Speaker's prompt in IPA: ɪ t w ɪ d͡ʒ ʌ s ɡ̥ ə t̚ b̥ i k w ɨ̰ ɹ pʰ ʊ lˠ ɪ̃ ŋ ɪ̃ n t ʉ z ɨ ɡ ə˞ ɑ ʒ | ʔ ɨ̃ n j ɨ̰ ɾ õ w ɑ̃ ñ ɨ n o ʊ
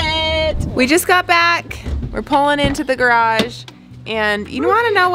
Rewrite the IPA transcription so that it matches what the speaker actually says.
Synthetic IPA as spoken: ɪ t w i d͡ʒ ʌ s ɡ̥ ɑ t̚ b̥ æ k w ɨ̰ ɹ pʰ ʊ lˠ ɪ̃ ŋ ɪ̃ n t ʉ ð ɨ ɡ ə˞ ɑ ʒ | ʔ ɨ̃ n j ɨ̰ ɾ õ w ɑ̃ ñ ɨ n o ʊ